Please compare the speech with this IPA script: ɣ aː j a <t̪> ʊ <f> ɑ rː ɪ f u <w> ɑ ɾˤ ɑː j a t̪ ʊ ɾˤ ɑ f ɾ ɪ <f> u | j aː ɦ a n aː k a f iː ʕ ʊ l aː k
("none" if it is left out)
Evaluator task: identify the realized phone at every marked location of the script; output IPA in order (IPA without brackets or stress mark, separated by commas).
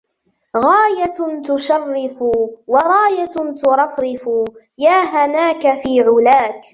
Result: t̪, ʃ, w, f